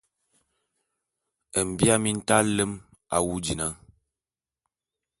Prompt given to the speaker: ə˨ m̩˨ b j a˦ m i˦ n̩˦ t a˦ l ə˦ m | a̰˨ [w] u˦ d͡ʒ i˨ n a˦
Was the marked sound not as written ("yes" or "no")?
no